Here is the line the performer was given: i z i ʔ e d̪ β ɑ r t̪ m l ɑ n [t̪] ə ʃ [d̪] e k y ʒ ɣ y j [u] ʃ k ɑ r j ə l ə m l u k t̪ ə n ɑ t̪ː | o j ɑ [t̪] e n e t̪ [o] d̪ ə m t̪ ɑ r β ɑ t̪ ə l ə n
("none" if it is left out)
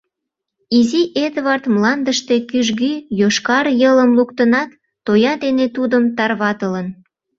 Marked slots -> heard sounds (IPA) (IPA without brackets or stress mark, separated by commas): d̪, t̪, o, d̪, u